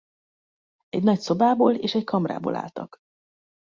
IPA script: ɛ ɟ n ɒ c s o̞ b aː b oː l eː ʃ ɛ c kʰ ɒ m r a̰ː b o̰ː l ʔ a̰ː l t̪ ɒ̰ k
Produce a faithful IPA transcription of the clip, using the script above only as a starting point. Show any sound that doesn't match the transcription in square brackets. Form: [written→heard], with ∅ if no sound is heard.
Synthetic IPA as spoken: ɛ ɟ n ɒ c s o̞ b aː b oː l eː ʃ ɛ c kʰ ɒ m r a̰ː b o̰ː l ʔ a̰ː l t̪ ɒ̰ k